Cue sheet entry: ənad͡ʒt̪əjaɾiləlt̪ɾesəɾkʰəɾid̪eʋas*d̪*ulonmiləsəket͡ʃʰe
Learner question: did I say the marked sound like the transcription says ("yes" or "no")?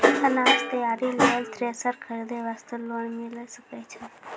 no